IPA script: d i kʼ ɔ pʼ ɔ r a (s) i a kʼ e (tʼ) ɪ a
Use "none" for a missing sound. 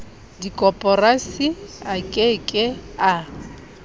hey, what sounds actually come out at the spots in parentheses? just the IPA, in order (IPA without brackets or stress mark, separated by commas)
s, kʼ